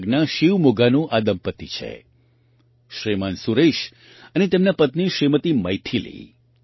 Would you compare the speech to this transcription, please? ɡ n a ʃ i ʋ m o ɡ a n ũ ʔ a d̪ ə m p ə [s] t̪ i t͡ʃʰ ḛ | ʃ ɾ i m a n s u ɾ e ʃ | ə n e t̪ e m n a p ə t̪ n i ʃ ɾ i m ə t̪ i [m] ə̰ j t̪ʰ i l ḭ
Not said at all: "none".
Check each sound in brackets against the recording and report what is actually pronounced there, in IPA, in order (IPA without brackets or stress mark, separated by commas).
none, m